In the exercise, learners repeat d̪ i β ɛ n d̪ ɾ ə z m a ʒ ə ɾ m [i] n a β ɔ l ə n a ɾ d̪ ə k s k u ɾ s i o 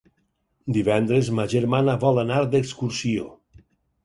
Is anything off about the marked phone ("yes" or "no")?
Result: yes